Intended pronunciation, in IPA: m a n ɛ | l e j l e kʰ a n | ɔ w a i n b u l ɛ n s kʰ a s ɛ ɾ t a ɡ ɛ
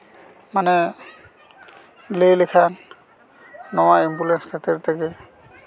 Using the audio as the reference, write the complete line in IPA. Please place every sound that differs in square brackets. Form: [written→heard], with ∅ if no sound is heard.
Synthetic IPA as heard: m a n ɛ | l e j l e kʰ a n | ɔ w a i [n→m] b u l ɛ n s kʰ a [s→t] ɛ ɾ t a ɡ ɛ